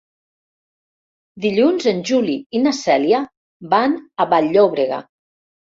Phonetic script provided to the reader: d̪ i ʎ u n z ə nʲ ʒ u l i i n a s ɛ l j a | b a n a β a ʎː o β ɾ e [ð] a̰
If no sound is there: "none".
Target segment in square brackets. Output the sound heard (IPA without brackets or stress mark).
ɣ